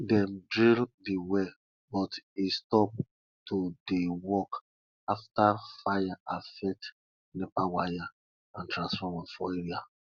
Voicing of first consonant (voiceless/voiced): voiced